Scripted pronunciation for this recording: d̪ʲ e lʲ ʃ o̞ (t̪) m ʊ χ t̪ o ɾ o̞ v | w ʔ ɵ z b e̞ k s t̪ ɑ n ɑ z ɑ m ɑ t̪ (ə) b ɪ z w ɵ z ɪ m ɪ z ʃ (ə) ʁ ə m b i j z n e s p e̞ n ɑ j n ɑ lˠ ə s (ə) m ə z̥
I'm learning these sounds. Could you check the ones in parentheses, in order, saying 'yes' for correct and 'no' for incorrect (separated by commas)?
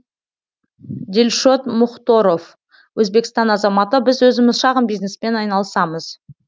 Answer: yes, yes, no, no